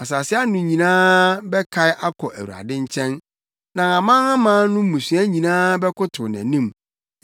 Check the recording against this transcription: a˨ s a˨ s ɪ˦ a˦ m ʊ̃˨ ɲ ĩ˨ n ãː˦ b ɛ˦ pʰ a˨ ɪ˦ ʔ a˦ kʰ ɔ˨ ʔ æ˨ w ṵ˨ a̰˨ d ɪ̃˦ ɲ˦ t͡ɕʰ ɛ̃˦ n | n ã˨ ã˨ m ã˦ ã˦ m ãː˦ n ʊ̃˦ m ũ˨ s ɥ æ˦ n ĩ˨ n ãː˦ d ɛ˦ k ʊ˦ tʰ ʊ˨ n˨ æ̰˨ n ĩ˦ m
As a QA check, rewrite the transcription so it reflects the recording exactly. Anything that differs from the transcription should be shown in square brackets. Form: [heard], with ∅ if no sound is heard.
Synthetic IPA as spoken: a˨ s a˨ s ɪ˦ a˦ [n] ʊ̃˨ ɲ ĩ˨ n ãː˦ b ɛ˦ [kʰ] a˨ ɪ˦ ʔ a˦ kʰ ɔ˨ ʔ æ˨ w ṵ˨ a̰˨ d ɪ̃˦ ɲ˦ t͡ɕʰ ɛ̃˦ n | n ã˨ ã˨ m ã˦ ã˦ m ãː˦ n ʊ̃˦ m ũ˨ s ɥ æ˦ [ɲ] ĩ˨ n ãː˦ [b] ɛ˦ k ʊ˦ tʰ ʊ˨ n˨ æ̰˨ n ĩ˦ m

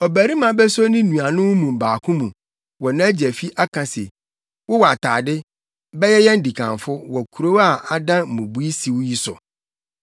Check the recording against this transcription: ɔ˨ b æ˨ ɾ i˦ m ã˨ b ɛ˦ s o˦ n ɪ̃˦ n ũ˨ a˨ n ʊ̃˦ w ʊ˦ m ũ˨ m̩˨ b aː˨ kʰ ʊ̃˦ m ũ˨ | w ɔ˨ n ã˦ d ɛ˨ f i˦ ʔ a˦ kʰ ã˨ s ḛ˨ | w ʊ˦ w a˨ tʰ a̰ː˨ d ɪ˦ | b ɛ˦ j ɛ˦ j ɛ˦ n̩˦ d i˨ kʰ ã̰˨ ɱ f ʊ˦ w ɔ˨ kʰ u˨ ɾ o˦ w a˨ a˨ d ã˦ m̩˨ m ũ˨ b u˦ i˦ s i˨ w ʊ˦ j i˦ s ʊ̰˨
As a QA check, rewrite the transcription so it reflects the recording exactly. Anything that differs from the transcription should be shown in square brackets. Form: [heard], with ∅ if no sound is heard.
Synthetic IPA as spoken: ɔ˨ b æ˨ ɾ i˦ m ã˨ b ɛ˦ s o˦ n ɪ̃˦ n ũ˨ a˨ n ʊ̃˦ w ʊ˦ m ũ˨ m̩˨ b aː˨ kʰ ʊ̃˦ m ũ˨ | w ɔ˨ n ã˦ [d͡ʑ] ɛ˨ f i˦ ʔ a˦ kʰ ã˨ s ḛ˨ | w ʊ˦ w a˨ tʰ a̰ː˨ d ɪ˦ | b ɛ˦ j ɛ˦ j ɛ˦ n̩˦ d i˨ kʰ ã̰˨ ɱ f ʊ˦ w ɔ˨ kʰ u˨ ɾ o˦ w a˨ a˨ d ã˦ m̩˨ m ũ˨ b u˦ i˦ s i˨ w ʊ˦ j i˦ s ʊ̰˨

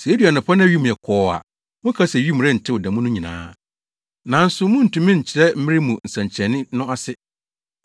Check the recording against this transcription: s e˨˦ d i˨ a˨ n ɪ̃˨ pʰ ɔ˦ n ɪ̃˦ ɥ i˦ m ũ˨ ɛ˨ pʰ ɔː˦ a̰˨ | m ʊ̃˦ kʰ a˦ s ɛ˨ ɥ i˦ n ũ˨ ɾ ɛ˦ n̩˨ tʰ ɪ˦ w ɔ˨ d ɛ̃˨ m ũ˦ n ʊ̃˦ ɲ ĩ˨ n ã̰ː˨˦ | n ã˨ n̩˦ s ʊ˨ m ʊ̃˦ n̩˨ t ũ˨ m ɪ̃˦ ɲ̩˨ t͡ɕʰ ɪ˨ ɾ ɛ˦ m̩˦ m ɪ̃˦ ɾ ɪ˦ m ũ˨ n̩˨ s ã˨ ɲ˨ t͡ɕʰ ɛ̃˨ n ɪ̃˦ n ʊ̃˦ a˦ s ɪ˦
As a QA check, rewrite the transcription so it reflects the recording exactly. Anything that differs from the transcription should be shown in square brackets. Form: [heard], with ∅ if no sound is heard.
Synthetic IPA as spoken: s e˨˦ d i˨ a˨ n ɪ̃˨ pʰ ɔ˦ n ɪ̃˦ ɥ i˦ m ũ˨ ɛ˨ [kʰ] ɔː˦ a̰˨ | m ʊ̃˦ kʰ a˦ s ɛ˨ ɥ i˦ [m] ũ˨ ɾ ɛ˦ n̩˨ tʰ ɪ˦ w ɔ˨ d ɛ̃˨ m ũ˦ n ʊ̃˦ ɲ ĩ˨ n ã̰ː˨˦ | n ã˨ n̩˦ s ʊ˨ m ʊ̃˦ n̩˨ t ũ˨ m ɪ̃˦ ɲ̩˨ t͡ɕʰ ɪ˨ ɾ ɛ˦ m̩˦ m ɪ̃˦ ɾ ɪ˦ m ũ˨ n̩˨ s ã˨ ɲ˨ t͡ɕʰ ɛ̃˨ n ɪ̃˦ n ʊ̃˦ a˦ s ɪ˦

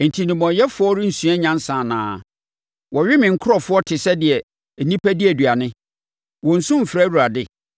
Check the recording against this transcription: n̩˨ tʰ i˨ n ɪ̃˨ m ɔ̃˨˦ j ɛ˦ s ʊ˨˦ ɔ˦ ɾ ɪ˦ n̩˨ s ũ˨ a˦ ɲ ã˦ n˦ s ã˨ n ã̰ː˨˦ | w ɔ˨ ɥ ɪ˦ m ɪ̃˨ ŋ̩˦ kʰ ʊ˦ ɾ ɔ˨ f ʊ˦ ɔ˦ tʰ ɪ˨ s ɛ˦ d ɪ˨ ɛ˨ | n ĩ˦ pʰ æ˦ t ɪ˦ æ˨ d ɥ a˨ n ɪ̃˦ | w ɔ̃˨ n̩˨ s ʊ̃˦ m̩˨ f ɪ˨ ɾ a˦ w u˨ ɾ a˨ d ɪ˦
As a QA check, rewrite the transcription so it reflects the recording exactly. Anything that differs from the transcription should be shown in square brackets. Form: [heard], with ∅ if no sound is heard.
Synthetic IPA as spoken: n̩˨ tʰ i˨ n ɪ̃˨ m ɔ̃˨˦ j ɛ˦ [f] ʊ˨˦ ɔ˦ ɾ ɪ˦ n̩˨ s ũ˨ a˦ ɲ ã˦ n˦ s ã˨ n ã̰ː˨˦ | w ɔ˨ ɥ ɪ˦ m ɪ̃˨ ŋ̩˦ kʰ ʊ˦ ɾ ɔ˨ f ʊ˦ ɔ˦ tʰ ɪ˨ s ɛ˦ d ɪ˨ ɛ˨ | n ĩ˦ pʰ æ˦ [d] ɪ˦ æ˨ d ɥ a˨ n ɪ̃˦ | w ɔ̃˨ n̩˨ s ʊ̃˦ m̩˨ f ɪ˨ ɾ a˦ w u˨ ɾ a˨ d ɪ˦

